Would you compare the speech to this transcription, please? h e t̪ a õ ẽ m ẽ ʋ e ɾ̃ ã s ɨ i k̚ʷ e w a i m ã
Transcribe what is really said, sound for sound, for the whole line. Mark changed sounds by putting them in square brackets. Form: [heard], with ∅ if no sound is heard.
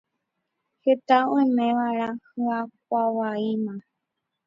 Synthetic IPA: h e t̪ a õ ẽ m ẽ ʋ [a] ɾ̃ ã [h] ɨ [a] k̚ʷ [a] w a i m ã